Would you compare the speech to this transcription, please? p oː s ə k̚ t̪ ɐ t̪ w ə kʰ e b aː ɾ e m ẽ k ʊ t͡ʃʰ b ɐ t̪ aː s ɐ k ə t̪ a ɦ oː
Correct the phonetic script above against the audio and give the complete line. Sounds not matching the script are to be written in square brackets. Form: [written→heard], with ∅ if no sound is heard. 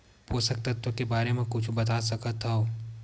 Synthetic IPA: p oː s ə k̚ t̪ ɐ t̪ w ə [kʰ→k] e b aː ɾ e m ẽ k ʊ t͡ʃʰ b ɐ t̪ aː s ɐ k ə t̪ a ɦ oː